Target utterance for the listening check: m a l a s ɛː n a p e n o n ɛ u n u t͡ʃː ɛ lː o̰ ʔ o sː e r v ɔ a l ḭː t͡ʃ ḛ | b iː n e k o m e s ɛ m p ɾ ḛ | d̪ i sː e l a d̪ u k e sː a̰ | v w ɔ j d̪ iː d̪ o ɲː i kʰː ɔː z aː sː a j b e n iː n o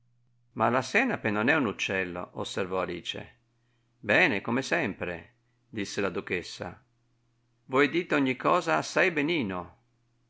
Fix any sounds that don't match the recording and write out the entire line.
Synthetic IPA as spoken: m a l a s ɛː n a p e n o n ɛ u n u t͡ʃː ɛ lː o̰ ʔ o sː e r v ɔ a l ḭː t͡ʃ ḛ | b ɛː n e k o m e s ɛ m p ɾ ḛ | d̪ i sː e l a d̪ u k e sː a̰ | v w ɔ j d̪ iː t̪ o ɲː i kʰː ɔː z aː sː a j b e n iː n o